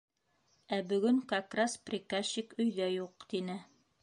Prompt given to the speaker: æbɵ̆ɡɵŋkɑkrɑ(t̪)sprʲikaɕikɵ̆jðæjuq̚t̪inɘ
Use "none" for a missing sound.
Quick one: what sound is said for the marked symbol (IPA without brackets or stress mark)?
none